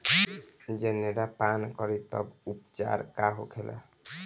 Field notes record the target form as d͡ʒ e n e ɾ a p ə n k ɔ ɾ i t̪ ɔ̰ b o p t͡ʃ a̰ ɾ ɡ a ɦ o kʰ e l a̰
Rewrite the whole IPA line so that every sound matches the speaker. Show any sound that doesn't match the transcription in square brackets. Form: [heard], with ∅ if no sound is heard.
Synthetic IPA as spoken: d͡ʒ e n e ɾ a p [a] n k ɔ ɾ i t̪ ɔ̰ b [u] p t͡ʃ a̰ ɾ [k] a ɦ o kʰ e l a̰